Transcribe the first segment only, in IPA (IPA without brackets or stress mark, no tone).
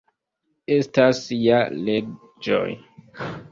e̞